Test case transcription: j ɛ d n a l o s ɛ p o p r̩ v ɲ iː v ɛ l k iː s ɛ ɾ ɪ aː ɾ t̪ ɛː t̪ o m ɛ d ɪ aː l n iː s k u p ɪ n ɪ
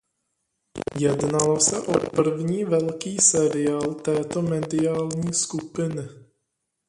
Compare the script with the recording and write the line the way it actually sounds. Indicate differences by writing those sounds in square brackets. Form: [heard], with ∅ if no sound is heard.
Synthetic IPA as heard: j ɛ d n a l o s ɛ [ʔ] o p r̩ v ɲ iː v ɛ l k iː s ɛ ɾ ɪ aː [l] t̪ ɛː t̪ o m ɛ d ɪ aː l [ɲ] iː s k u p ɪ n ɪ

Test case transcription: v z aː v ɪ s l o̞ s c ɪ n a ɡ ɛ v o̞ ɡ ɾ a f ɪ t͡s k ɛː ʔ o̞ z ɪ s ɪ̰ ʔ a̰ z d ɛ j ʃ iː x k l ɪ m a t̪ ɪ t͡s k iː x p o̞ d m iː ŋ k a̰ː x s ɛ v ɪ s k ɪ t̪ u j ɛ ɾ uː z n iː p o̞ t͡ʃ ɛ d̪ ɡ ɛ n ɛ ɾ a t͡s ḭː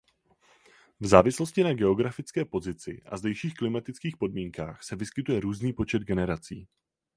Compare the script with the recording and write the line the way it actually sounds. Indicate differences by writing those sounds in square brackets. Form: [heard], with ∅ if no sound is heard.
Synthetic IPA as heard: v z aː v ɪ s l o̞ s c ɪ n a ɡ ɛ [∅] o̞ ɡ ɾ a f ɪ t͡s k ɛː [p] o̞ z ɪ [t͡s] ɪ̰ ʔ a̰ z d ɛ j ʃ iː x k l ɪ m a t̪ ɪ t͡s k iː x p o̞ d m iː ŋ k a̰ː x s ɛ v ɪ s k ɪ t̪ u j ɛ ɾ uː z n iː p o̞ t͡ʃ ɛ d̪ ɡ ɛ n ɛ ɾ a t͡s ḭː

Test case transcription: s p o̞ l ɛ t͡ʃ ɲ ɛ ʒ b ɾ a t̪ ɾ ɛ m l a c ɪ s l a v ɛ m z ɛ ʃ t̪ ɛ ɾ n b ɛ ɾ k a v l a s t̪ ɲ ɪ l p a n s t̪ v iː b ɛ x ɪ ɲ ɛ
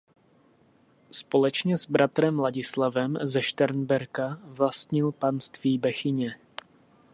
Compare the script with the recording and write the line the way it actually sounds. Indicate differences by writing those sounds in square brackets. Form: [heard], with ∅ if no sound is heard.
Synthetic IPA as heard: s p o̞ l ɛ t͡ʃ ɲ ɛ [z] b ɾ a t̪ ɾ ɛ m l a [ɟ] ɪ s l a v ɛ m z ɛ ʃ t̪ ɛ ɾ n b ɛ ɾ k a v l a s t̪ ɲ ɪ l p a n s t̪ v iː b ɛ x ɪ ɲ ɛ

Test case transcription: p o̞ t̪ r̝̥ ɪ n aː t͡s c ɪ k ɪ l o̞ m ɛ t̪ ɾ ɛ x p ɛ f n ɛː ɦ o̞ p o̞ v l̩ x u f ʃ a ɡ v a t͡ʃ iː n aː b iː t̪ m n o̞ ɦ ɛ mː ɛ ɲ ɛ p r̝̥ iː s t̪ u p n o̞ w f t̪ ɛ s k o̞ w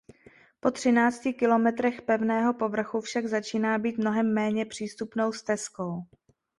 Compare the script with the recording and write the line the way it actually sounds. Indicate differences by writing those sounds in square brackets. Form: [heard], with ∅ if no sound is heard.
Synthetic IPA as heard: p o̞ t̪ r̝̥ ɪ n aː t͡s c ɪ k ɪ l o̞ m ɛ t̪ ɾ ɛ x p ɛ [v] n ɛː ɦ o̞ p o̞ v [r̩] x u f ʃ a ɡ [z] a t͡ʃ iː n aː b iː t̪ m n o̞ ɦ ɛ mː [ɛː] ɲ ɛ p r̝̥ iː s t̪ u p n o̞ w [s] t̪ ɛ s k o̞ w

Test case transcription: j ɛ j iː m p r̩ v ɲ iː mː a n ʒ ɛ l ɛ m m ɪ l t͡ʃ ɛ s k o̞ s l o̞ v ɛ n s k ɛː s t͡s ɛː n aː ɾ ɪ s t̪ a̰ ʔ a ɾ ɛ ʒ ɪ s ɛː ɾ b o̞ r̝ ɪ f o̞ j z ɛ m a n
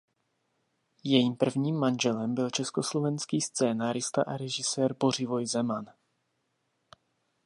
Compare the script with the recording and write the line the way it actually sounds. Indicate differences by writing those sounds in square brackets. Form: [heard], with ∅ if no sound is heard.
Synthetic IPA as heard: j ɛ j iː m p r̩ v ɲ iː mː a n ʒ ɛ l ɛ m [b] ɪ l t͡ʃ ɛ s k o̞ s l o̞ v ɛ n s k [iː] s t͡s ɛː n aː ɾ ɪ s t̪ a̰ ʔ a ɾ ɛ ʒ ɪ s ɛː ɾ b o̞ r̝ ɪ [v] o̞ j z ɛ m a n

